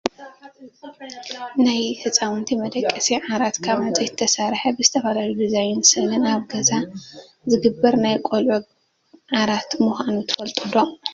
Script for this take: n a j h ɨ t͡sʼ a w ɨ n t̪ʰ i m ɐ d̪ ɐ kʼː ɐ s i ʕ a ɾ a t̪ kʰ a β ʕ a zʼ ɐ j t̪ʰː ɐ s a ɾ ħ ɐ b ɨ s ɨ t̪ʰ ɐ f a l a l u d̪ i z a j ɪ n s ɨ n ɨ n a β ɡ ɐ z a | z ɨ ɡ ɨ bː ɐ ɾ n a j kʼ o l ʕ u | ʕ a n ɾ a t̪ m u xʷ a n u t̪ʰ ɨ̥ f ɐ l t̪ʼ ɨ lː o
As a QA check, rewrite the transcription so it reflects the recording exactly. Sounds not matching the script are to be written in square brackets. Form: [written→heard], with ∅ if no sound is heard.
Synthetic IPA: n a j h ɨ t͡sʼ a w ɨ n t̪ʰ i m ɐ d̪ ɐ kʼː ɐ s i ʕ a ɾ a t̪ kʰ a β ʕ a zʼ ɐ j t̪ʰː ɐ s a ɾ ħ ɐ b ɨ [s→z] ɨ t̪ʰ ɐ f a l a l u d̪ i z a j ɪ n s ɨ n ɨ n a β ɡ ɐ z a | z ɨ ɡ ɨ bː ɐ ɾ n a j kʼ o l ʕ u | ʕ a [n→∅] ɾ a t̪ m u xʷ a n u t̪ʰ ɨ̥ f ɐ l t̪ʼ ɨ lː o